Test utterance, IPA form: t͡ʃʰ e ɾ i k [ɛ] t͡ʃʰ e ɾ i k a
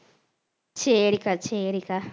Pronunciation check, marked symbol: incorrect: a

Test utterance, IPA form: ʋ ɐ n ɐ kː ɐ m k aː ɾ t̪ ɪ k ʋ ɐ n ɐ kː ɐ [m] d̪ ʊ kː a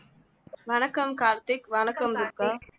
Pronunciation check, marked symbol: correct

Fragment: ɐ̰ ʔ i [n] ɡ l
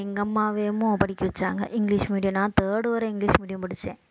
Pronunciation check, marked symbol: incorrect: ŋ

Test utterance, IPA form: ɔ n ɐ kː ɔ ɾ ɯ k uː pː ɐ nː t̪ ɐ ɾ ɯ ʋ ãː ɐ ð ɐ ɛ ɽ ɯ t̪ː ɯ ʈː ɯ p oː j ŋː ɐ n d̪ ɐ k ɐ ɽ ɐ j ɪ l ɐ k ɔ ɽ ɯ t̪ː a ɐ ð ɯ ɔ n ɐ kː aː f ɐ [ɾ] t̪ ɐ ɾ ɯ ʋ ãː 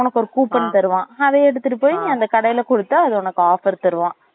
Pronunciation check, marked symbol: correct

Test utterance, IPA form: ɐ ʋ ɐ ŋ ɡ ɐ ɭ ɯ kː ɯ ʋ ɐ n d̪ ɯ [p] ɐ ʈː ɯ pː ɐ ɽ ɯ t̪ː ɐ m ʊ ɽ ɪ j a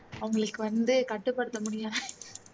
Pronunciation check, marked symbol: incorrect: k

